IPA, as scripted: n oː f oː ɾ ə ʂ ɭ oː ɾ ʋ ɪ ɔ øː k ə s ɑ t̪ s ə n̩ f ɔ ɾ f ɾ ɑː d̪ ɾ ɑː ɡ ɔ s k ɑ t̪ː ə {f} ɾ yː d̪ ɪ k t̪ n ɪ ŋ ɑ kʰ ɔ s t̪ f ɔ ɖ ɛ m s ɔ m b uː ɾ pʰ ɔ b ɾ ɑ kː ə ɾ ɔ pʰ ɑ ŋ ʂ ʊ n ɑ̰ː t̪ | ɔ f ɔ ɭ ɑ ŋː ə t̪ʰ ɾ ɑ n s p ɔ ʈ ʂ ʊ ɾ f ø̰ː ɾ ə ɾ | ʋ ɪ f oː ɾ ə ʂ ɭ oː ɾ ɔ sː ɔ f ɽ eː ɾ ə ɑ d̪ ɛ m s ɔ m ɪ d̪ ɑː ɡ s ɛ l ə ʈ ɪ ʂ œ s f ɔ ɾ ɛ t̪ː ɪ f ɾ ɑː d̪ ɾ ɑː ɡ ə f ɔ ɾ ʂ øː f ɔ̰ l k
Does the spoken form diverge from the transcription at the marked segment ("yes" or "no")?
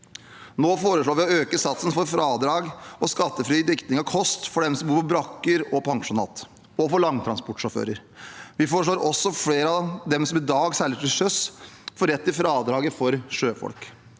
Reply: no